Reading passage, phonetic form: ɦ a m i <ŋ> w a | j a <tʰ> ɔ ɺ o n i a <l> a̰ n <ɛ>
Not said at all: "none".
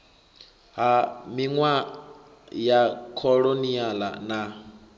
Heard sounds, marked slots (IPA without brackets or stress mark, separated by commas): ŋ, kʰ, l, a